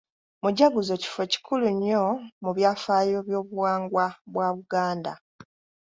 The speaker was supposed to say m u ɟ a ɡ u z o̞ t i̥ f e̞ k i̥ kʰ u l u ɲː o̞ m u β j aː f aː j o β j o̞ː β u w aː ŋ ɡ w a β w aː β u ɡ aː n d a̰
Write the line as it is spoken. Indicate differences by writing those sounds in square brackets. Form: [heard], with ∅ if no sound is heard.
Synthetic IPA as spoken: m u ɟ a ɡ u z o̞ [c] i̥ f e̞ [c] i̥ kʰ u l u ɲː o̞ m u β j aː f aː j o β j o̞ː β u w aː ŋ ɡ w a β w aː β u ɡ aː n d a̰